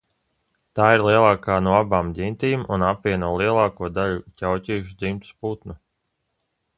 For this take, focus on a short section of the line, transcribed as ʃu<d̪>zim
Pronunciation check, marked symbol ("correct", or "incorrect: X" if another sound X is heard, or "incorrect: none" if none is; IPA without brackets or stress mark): correct